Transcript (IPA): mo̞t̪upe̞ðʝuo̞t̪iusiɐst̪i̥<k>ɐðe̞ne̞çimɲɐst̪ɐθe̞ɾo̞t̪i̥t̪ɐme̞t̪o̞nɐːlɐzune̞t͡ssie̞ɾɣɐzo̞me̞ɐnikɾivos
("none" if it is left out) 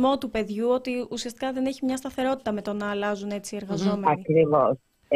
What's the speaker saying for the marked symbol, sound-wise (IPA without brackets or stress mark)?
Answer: k